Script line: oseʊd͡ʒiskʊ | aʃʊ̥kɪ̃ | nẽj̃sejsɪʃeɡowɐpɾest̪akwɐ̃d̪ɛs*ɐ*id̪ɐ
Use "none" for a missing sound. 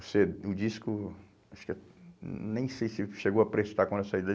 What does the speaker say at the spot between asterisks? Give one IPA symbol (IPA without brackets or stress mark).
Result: a